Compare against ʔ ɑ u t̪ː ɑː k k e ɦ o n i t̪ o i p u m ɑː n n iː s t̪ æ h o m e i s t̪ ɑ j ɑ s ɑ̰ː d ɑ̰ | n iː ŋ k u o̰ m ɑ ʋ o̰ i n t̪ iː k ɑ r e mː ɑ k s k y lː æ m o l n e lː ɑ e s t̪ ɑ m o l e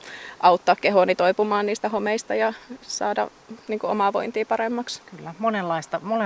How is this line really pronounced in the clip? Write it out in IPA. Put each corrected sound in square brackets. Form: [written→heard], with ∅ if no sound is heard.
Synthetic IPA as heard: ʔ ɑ u t̪ː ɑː k k e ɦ o n i t̪ o i p u m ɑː n n iː s t̪ æ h o m e i s t̪ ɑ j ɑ s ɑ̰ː d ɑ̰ | n iː ŋ k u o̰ m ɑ ʋ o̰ i n t̪ iː [k→p] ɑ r e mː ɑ k s k y lː æ m o [l→∅] n e lː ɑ [e→i] s t̪ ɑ m o l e